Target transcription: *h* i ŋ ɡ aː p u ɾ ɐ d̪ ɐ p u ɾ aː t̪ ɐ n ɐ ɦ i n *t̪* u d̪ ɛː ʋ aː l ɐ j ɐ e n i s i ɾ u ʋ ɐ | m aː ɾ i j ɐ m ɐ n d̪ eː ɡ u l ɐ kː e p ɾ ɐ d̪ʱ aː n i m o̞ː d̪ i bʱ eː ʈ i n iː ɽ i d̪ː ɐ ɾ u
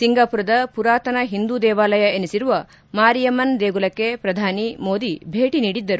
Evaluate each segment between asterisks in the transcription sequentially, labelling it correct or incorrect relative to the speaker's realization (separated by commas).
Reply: incorrect, incorrect